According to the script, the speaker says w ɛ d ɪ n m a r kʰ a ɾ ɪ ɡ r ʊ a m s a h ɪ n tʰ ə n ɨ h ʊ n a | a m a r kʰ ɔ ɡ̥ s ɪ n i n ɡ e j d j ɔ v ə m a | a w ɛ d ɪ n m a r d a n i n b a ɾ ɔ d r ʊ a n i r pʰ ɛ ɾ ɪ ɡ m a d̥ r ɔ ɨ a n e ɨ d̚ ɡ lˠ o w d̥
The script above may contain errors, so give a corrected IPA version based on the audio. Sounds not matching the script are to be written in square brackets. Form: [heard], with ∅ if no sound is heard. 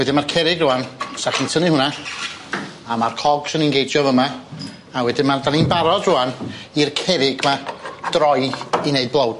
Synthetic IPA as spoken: w ɛ d ɪ n m a r kʰ [ɛ] ɾ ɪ ɡ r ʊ a [n] s a [χ] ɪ n tʰ ə n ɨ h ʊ n a | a m a r kʰ ɔ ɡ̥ s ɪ n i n ɡ e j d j ɔ v ə m a | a w ɛ d ɪ n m a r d a n i n b a ɾ ɔ d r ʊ a n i r [kʰ] ɛ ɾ ɪ ɡ m a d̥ r ɔ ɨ [i] n e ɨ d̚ [b] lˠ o w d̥